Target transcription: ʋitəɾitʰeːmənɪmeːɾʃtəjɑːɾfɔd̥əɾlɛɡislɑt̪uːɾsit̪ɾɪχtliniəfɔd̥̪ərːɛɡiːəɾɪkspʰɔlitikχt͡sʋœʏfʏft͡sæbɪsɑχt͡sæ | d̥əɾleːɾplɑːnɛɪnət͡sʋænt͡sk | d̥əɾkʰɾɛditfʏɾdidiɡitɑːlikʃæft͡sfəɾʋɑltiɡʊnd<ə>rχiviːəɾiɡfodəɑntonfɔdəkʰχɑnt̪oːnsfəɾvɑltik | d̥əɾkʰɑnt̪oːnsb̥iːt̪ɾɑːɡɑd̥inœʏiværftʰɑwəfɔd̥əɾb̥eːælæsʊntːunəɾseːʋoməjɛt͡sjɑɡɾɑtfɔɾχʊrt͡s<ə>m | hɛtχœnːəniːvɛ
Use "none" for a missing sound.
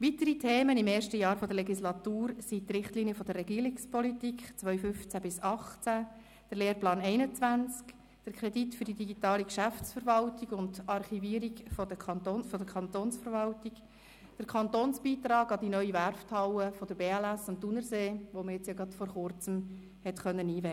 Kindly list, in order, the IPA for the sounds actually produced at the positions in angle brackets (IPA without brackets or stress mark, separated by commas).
ɑ, ə